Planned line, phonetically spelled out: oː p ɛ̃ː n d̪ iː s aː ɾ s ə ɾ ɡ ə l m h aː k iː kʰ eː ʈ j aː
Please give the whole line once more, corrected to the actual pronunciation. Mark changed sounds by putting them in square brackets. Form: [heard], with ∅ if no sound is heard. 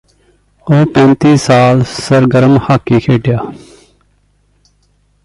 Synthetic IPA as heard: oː p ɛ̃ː n [t̪] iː s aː [l] s ə ɾ ɡ ə [ɾ] m h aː k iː kʰ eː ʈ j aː